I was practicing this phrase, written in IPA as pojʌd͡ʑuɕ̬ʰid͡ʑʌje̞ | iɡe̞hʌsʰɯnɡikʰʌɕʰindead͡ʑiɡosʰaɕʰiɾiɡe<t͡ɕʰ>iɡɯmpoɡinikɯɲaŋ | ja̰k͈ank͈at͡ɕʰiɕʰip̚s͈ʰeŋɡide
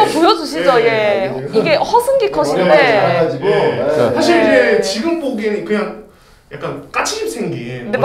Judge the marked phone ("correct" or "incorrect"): incorrect